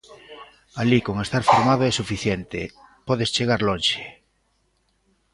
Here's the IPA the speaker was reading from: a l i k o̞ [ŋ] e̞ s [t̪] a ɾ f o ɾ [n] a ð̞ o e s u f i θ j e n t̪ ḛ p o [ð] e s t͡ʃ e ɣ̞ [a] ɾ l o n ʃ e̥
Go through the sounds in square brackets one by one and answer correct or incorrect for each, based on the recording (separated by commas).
correct, correct, incorrect, correct, correct